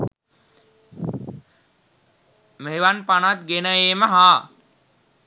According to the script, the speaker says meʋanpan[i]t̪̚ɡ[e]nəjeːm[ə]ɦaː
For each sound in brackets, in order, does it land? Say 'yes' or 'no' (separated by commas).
no, yes, yes